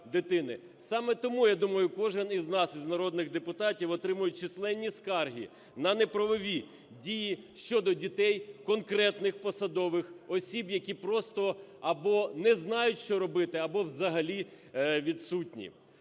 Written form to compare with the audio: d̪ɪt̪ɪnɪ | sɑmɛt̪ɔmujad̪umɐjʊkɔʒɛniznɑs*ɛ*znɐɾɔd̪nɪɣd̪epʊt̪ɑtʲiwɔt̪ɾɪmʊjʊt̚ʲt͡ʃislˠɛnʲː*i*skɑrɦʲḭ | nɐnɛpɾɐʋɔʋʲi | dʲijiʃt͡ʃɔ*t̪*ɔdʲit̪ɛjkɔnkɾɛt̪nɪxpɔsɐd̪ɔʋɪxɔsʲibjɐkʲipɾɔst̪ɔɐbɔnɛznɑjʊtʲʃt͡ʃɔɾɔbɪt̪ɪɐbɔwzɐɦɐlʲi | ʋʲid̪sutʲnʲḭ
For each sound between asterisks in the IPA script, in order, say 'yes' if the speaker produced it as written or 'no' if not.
no, yes, no

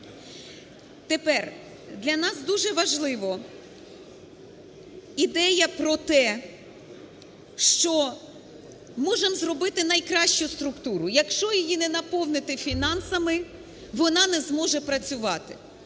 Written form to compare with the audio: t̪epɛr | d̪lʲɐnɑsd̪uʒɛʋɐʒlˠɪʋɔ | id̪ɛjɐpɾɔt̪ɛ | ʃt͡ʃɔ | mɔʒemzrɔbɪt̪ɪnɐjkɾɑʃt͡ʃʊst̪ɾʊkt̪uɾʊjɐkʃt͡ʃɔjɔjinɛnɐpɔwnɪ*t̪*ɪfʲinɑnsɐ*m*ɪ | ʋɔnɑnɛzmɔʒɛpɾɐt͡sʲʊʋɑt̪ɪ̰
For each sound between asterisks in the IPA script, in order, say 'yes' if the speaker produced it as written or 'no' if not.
yes, yes

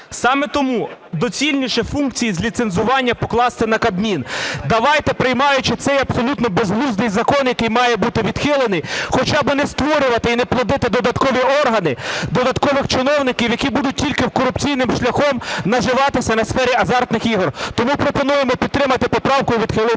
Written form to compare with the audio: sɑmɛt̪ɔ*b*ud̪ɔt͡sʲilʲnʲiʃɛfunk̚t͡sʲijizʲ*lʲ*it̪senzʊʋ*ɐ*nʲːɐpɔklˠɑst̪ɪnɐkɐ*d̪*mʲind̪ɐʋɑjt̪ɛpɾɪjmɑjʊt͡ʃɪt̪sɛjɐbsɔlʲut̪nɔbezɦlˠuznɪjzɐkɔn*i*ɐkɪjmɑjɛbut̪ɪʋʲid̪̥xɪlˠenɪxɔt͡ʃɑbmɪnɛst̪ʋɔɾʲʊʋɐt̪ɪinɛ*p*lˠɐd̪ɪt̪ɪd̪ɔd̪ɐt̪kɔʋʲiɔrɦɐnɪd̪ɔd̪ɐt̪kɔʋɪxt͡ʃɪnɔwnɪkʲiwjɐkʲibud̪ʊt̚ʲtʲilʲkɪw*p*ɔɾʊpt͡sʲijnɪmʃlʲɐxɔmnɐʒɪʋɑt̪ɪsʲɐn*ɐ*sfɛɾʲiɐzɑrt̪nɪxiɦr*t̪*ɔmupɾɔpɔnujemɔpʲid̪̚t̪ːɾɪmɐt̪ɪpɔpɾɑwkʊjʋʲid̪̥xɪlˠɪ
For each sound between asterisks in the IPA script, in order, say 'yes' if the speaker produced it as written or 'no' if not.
no, yes, no, yes, no, yes, no, yes, yes

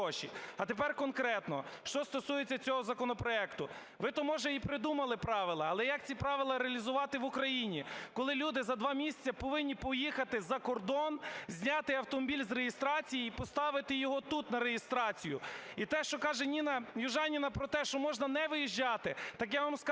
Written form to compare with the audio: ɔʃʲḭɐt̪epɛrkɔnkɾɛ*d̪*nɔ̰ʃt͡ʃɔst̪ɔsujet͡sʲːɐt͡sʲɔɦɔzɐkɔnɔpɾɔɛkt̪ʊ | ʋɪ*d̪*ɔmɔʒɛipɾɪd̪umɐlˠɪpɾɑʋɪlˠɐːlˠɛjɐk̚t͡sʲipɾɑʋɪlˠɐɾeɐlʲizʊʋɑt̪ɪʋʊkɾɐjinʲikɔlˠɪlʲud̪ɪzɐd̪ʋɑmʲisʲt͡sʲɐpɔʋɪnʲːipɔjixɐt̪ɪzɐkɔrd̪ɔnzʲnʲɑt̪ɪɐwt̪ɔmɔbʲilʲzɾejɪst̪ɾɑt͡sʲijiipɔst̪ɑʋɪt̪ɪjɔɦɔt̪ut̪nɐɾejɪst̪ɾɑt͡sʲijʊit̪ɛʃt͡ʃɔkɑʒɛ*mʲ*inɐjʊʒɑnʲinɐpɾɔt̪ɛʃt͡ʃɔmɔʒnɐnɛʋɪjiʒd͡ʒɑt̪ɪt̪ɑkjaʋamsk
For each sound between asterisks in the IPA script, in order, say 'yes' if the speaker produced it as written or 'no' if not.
no, no, no

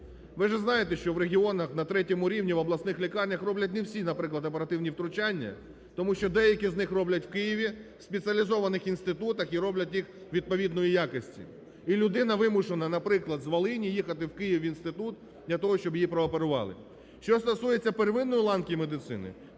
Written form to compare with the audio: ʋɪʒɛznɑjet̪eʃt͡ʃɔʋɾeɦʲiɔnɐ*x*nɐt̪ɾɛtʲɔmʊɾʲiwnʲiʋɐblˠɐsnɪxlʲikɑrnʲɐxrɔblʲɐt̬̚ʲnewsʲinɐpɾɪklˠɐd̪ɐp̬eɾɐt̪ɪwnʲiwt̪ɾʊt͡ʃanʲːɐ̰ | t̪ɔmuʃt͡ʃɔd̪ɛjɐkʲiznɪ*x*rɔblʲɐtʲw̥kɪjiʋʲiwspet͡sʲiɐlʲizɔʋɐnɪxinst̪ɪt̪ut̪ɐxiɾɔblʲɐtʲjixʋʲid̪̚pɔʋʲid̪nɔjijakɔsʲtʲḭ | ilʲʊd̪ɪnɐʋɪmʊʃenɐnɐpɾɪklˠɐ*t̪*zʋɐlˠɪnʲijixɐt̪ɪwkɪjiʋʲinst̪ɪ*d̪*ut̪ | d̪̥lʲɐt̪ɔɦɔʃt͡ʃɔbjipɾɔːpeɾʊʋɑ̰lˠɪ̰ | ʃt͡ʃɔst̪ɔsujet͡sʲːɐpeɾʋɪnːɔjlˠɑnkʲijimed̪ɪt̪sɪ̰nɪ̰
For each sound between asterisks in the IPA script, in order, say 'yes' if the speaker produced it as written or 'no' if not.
yes, yes, no, no

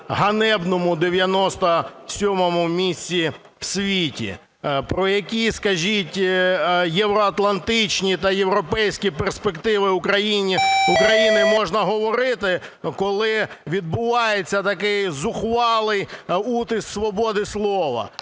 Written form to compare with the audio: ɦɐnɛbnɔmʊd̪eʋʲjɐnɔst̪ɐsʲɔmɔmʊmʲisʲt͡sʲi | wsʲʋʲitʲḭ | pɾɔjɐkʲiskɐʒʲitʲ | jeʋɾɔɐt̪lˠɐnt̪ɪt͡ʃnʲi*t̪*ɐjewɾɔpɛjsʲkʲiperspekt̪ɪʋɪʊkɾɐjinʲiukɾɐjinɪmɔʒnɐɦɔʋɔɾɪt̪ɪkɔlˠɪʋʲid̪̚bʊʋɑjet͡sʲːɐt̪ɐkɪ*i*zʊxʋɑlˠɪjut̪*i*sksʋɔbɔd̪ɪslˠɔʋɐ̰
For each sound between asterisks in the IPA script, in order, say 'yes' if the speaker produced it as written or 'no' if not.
yes, no, no

